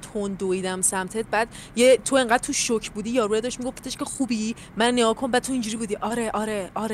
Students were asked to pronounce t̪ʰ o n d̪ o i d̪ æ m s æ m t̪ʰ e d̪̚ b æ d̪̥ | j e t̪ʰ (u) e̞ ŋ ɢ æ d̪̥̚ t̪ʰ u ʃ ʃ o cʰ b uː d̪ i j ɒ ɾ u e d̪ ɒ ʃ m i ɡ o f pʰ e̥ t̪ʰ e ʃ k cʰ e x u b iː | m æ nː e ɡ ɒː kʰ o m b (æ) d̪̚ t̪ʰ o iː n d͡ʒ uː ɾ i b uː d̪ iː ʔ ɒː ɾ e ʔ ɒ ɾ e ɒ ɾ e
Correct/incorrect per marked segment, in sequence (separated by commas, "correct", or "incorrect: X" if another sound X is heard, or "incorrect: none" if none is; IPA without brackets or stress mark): incorrect: o, correct